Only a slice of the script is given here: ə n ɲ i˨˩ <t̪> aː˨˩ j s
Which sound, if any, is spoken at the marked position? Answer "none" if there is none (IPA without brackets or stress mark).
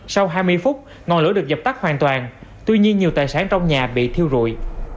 t̪